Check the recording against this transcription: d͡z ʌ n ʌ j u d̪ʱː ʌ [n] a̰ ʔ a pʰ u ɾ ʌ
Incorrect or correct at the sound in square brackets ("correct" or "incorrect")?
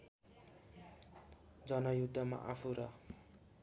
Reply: incorrect